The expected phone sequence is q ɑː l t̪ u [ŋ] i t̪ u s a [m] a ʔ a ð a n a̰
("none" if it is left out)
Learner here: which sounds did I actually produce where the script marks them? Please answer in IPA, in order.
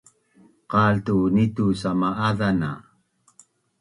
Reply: n, m

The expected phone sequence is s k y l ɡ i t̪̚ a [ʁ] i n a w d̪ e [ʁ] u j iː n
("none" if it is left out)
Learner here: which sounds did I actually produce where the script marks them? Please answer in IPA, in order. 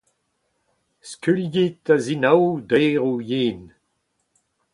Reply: z, ʁ

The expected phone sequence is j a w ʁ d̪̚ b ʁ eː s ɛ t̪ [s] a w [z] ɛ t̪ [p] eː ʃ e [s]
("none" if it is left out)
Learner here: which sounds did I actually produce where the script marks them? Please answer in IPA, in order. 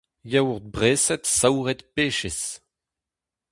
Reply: s, ʁ, p, s

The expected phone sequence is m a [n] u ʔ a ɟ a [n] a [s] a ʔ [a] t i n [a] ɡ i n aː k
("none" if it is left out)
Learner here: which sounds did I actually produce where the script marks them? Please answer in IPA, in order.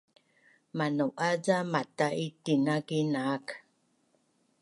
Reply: n, m, t, i, a

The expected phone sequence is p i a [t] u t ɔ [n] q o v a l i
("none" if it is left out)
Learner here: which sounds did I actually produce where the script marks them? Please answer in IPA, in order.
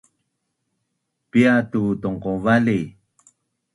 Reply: t, ŋ

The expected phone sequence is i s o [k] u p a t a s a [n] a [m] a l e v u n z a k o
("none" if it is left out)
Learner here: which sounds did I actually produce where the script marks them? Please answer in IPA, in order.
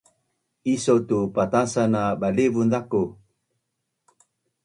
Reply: t, n, b

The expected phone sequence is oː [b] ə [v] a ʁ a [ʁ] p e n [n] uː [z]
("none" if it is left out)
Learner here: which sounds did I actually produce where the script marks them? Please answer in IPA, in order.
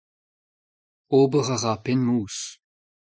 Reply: b, ʁ, none, m, s

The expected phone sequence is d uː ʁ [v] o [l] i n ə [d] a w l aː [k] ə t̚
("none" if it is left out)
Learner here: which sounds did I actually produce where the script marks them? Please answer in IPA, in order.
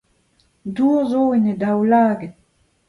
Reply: z, none, d, ɡ

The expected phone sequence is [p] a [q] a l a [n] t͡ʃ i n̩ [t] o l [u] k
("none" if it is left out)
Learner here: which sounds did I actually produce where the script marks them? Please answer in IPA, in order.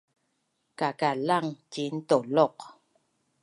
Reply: k, k, ŋ, t, ɔ

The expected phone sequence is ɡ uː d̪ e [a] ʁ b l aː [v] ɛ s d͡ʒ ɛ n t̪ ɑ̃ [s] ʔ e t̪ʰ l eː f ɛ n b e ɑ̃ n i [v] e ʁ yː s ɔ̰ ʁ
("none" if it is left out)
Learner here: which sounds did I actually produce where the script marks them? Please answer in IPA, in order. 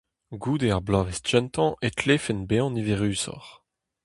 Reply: a, v, none, v

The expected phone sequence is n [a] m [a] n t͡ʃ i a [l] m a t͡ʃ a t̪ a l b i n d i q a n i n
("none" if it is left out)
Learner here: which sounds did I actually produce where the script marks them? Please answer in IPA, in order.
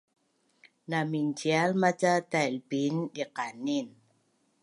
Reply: a, i, l

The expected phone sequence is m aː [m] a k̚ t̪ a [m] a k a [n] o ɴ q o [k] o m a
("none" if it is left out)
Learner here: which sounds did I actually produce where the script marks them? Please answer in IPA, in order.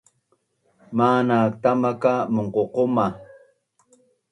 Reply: n, m, m, q

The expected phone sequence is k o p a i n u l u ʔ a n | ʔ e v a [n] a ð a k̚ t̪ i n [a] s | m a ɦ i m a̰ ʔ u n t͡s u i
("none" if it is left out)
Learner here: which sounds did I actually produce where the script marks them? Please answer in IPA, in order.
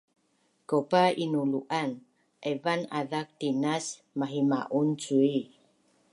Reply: n, a

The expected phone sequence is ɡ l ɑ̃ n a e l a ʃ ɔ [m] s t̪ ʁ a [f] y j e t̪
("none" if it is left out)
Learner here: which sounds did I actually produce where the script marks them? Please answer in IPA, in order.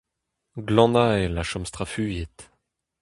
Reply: m, f

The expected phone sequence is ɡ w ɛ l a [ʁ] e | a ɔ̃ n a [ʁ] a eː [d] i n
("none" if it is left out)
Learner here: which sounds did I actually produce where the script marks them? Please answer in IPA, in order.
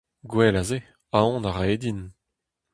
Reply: z, ʁ, d

